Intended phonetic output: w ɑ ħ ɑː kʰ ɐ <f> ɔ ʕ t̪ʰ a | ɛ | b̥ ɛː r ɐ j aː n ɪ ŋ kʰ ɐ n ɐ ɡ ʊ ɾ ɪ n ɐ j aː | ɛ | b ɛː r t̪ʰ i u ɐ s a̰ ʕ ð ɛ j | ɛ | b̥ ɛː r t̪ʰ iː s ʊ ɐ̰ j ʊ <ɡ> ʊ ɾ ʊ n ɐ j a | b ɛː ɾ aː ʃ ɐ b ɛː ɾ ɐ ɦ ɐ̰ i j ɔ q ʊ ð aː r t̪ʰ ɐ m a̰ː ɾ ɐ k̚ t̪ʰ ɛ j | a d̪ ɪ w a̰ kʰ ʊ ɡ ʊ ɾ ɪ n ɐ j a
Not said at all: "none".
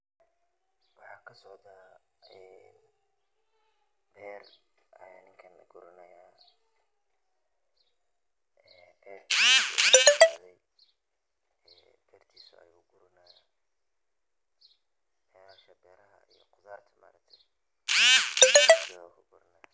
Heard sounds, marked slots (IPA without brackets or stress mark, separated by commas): s, ɡ